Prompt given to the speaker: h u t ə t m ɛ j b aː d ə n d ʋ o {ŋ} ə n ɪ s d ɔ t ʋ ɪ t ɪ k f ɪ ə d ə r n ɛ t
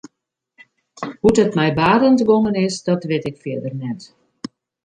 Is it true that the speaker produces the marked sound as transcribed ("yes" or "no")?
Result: yes